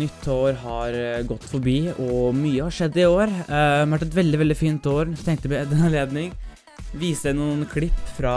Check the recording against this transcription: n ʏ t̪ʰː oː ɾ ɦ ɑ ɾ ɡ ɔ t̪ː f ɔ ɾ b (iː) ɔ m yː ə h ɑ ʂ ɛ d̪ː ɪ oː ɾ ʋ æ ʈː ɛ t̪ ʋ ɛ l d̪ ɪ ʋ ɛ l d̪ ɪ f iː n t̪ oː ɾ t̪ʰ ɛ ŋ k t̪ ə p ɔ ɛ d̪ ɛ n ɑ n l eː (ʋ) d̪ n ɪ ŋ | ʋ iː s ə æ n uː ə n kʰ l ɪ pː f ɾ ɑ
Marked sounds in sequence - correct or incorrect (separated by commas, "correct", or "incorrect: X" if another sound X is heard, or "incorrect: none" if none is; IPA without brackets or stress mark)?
correct, incorrect: none